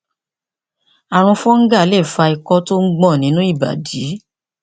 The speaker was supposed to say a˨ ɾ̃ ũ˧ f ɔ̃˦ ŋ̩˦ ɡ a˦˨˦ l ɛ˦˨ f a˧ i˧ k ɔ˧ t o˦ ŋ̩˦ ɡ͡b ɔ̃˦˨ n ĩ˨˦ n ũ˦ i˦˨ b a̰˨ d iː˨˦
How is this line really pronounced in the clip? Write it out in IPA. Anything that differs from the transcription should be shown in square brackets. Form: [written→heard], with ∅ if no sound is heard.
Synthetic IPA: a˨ ɾ̃ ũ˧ f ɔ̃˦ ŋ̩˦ ɡ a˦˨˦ l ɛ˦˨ f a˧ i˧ k ɔ˧ t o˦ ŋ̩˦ ɡ͡b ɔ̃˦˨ n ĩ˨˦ n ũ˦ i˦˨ b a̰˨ d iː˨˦